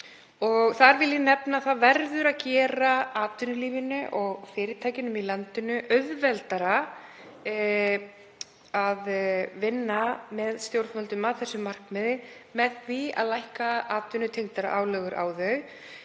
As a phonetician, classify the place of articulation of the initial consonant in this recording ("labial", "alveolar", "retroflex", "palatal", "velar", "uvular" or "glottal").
velar